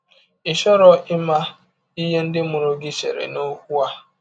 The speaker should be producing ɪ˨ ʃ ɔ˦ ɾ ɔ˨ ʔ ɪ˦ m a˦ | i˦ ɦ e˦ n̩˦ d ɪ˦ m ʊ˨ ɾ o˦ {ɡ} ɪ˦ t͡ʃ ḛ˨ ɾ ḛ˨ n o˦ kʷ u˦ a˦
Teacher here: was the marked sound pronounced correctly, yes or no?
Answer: yes